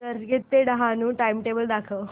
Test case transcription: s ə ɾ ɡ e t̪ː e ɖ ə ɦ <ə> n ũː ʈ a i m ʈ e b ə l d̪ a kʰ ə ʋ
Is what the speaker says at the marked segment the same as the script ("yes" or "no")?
no